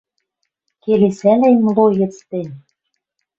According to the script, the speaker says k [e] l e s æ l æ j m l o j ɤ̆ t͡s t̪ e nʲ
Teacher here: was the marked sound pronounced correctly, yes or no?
yes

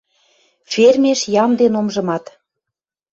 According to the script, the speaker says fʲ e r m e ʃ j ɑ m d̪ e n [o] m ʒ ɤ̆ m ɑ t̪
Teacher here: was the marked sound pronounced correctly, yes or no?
yes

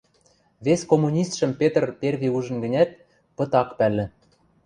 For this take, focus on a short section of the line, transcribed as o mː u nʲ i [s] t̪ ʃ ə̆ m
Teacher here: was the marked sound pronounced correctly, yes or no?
yes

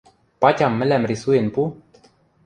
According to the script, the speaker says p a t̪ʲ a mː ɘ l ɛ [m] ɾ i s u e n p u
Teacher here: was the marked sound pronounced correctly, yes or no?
yes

